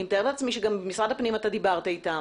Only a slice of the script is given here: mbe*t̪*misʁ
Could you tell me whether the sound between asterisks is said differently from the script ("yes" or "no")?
yes